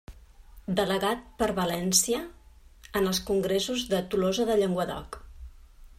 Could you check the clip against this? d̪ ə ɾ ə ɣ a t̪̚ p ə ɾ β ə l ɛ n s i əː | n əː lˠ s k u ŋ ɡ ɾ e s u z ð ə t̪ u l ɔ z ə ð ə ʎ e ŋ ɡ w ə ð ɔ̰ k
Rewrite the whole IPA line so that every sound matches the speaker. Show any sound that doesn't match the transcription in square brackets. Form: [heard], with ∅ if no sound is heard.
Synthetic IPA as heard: d̪ ə [l] ə ɣ a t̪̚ p ə ɾ β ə l ɛ n s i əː | n [ə] lˠ s k u ŋ ɡ ɾ e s u z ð ə t̪ u l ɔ z ə ð ə ʎ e ŋ ɡ w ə ð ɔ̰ k